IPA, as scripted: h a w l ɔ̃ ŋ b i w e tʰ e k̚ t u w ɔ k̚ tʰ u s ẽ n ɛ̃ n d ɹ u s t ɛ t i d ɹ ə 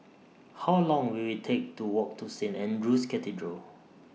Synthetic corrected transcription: h a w l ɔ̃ ŋ w i w i tʰ e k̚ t u w ɔ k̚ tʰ u s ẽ n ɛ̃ n d ɹ u s k ɛ t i d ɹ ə